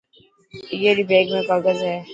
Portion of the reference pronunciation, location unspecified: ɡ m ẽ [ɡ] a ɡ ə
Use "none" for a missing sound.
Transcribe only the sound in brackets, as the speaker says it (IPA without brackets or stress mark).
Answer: k